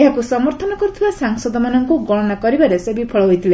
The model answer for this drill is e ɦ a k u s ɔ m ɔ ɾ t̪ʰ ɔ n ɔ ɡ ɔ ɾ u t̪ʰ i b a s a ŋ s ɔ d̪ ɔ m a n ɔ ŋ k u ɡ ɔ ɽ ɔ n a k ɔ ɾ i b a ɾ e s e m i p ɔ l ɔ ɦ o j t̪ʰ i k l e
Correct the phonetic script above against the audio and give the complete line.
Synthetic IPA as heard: e ɦ a k u s ɔ m ɔ ɾ t̪ʰ ɔ n ɔ k ɔ ɾ u t̪ʰ i b a s a ŋ s ɔ d̪ ɔ m a n ɔ ŋ k u ɡ ɔ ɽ ɔ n a k ɔ ɾ i b a ɾ e s e b i pʰ ɔ ɭ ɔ ɦ o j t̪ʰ i l e